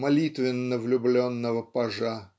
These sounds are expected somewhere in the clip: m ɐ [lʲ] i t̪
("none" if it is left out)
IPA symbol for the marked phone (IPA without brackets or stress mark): lʲ